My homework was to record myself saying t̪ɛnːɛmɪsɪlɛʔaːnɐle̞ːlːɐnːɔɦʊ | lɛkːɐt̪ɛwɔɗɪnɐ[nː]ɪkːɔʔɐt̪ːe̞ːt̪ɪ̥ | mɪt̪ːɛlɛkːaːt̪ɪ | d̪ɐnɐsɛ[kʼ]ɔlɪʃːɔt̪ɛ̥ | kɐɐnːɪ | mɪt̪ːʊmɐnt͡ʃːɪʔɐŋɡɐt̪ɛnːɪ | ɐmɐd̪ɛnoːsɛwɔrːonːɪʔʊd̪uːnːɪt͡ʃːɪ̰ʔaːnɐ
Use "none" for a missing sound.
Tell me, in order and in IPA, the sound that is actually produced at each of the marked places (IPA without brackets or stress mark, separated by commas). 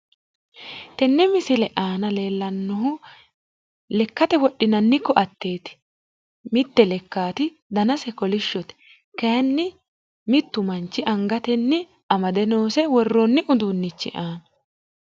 nː, k